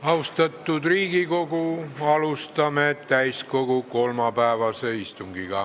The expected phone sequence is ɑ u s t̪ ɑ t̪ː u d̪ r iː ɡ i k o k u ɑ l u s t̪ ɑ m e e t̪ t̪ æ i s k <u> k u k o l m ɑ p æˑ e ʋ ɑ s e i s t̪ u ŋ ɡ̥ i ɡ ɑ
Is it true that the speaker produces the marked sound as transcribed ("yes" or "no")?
no